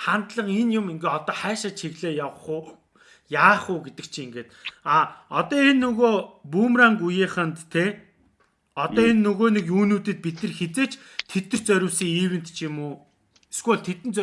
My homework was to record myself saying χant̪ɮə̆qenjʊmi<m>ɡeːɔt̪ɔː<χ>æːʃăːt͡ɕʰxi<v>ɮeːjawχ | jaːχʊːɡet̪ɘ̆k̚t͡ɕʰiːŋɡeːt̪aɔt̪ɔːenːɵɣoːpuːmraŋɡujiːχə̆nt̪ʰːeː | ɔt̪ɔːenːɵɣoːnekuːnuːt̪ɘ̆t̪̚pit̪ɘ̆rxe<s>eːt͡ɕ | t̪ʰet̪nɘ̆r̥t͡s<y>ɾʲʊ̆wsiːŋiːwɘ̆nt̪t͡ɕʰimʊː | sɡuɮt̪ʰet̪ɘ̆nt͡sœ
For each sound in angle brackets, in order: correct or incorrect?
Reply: incorrect: ŋ, correct, incorrect: ɣ, incorrect: t͡s, incorrect: œ

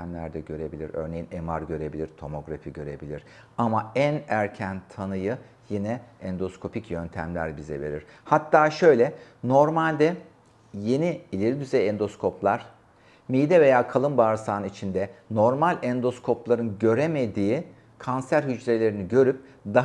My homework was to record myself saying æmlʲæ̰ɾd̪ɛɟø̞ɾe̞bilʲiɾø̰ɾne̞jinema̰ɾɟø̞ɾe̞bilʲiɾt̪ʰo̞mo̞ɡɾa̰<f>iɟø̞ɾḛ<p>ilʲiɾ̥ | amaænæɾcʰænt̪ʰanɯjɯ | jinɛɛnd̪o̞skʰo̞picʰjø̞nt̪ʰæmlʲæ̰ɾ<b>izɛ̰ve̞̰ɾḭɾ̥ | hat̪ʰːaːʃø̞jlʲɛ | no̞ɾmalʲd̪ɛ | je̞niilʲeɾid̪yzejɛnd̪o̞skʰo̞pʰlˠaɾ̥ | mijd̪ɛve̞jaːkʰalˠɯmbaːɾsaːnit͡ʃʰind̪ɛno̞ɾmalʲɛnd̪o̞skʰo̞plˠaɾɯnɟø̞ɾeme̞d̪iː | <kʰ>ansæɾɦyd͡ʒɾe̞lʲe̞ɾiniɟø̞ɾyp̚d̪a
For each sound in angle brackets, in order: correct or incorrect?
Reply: correct, incorrect: b, correct, correct

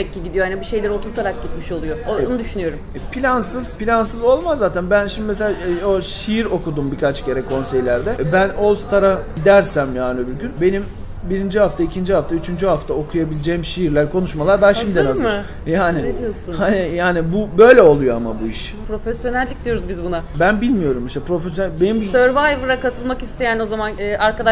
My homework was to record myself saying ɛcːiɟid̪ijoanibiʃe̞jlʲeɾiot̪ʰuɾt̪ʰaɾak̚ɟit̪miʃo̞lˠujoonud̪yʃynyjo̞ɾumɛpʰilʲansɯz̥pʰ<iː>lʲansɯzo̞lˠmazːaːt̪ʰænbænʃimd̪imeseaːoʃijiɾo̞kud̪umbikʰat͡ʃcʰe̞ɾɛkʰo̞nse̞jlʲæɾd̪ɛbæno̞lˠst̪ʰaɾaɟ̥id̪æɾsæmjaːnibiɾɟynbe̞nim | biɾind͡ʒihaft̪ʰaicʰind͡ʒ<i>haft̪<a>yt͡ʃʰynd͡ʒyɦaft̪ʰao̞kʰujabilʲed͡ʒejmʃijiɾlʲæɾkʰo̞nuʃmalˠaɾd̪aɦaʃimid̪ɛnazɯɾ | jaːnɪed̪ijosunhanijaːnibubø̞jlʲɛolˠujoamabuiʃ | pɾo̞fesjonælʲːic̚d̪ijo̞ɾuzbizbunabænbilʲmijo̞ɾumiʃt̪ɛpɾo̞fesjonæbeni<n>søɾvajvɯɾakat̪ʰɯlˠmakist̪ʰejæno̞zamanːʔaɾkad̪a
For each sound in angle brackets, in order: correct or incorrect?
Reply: incorrect: i, correct, correct, incorrect: m

